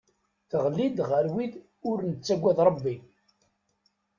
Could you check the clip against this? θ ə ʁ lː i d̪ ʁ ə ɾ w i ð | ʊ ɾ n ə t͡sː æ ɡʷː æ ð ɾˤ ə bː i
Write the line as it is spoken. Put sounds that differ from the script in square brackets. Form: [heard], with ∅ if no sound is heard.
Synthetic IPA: θ ə ʁ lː i d̪ ʁ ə ɾ w i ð | ʊ ɾ n ə t͡sː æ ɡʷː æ ð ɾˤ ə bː i

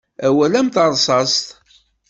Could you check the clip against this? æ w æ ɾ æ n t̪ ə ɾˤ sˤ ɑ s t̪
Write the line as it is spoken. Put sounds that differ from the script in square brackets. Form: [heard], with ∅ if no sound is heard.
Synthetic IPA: æ w æ [l] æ [m] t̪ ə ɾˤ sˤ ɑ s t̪

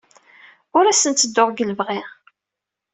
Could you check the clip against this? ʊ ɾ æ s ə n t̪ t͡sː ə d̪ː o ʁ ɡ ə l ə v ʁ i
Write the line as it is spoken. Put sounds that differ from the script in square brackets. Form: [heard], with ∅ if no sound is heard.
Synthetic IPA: ʊ ɾ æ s ə n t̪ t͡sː ə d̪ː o ʁ ɡ ə l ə v ʁ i

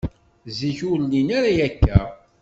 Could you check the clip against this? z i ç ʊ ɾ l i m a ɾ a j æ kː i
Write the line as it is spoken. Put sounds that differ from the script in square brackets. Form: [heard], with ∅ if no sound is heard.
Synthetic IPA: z i ç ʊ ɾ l i [n] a ɾ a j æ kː [æ]

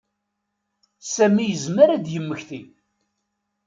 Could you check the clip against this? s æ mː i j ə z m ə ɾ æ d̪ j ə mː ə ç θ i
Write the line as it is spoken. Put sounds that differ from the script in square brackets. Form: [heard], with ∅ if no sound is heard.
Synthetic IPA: s æ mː i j ə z m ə ɾ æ d̪ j ə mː ə ç θ i

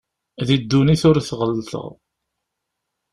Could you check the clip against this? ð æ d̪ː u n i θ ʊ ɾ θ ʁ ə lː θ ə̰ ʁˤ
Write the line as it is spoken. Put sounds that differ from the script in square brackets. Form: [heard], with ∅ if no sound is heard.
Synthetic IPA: ð [i] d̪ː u n i θ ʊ ɾ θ ʁ ə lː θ ə̰ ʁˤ

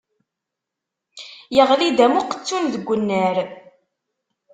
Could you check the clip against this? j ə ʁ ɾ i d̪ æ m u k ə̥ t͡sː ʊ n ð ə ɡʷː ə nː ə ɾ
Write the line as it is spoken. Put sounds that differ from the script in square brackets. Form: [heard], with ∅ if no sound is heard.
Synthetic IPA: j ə ʁ [l] i d̪ æ m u [q] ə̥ t͡sː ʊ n ð ə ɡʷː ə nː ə ɾ

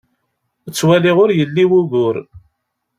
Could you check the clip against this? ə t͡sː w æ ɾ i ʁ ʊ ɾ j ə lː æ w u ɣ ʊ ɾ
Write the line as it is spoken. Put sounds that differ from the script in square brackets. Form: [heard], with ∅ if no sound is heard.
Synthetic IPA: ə t͡sː w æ [l] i ʁ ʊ ɾ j ə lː [i] w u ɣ ʊ ɾ

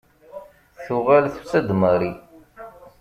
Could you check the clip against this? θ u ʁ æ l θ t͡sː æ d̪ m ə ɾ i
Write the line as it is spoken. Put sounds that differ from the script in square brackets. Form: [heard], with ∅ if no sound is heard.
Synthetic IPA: θ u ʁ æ l θ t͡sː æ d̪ m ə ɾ i

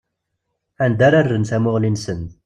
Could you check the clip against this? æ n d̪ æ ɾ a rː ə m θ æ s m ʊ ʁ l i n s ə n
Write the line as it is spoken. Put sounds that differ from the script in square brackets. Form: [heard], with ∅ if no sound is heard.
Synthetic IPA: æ n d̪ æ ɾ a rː ə [n] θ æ [∅] m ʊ ʁ l i n s ə n

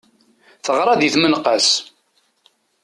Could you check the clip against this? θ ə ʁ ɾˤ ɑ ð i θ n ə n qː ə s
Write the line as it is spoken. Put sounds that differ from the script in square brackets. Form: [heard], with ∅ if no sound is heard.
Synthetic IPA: θ ə ʁ ɾˤ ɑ ð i θ [m] ə n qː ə s

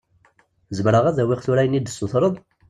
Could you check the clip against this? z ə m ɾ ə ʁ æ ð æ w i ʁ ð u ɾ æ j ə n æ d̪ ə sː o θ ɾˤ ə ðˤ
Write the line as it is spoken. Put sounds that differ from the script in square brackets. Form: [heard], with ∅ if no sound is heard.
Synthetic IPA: z ə m ɾ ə ʁ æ ð æ w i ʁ [θ] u ɾ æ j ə n [i] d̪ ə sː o θ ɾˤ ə ðˤ

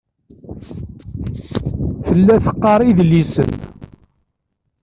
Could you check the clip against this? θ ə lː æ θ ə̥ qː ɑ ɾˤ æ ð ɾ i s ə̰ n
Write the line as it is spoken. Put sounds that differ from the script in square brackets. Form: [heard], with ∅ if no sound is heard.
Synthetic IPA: θ ə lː æ θ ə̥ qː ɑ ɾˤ [i] ð [l] i s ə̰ n

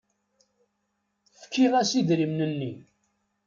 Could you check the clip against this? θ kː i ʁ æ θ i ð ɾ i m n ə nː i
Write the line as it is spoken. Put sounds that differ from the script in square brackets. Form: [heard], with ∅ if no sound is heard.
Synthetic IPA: [f] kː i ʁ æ [s] i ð ɾ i m n ə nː i

